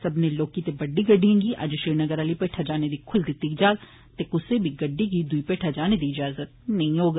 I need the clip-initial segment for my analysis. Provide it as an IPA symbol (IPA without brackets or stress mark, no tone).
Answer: s